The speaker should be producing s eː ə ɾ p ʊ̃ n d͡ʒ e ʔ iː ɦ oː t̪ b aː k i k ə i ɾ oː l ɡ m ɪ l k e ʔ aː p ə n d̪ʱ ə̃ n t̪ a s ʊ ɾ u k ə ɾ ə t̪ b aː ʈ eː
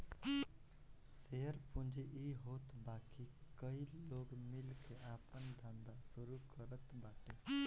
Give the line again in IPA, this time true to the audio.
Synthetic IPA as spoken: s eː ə ɾ p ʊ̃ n d͡ʒ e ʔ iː ɦ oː t̪ b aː k i k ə i l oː ɡ m ɪ l k e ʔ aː p ə n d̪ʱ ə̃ n d̪ a s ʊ ɾ u k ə ɾ ə t̪ b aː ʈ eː